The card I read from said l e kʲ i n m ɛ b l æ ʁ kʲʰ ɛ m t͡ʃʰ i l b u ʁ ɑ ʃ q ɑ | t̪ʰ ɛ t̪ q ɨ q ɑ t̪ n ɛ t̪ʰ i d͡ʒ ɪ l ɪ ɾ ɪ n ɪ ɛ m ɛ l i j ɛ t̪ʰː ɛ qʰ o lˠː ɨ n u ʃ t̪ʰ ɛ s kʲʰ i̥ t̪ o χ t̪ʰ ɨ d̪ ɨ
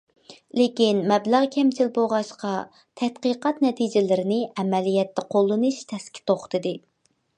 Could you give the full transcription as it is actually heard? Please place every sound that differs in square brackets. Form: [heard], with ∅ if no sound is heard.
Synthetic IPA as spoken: l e kʲ i n m ɛ b l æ ʁ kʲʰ ɛ m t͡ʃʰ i l b [o] ʁ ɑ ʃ q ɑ | t̪ʰ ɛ t̪ q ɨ q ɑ t̪ n ɛ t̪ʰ i d͡ʒ ɪ l ɪ ɾ ɪ n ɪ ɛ m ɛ l i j ɛ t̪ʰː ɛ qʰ o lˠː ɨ n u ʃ t̪ʰ ɛ s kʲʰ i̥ t̪ o χ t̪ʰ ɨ d̪ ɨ